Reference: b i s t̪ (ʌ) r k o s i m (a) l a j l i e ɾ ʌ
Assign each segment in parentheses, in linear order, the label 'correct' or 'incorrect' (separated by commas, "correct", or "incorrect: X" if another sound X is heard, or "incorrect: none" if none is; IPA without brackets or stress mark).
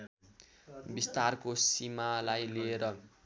incorrect: a, correct